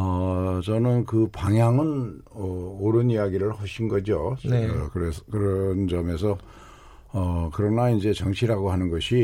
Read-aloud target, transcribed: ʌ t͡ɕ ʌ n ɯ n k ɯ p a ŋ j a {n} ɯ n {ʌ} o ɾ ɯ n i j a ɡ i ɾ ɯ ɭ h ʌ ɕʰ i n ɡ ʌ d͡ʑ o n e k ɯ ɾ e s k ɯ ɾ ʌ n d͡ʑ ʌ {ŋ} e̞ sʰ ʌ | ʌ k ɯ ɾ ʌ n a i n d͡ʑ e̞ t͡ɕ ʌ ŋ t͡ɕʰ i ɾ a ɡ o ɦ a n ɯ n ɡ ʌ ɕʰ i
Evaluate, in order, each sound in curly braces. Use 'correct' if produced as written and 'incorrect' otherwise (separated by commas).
incorrect, correct, incorrect